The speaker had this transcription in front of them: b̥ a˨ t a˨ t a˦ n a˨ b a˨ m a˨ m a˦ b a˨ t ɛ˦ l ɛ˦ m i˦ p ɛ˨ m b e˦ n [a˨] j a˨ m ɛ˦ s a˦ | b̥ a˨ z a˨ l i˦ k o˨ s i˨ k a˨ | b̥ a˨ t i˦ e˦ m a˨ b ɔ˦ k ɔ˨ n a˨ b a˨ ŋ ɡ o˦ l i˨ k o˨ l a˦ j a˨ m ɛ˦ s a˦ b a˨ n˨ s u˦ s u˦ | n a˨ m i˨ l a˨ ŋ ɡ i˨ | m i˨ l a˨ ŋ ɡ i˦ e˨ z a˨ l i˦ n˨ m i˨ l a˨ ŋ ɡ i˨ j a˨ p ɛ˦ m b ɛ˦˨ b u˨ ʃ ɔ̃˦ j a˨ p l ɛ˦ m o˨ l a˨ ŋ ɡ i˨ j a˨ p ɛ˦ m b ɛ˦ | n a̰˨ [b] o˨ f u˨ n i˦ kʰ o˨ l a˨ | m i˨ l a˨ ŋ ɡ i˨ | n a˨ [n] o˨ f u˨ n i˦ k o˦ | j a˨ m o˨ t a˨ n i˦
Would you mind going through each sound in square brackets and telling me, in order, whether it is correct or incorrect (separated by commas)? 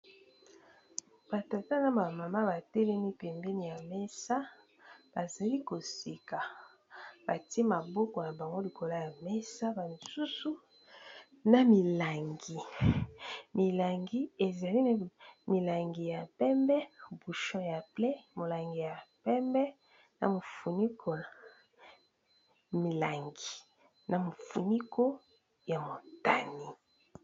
incorrect, incorrect, incorrect